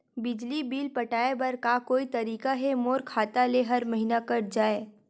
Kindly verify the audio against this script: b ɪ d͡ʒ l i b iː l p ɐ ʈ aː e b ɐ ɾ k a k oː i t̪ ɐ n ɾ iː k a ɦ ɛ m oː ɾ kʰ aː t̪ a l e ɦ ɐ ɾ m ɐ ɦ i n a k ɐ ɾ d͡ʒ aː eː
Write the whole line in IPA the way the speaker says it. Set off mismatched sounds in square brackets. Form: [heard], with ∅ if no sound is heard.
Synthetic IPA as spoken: b ɪ d͡ʒ l i b iː l p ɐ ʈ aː e b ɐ ɾ k a k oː i t̪ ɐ [∅] ɾ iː k a ɦ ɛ m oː ɾ kʰ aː t̪ a l e ɦ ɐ ɾ m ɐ ɦ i n a k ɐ ɾ d͡ʒ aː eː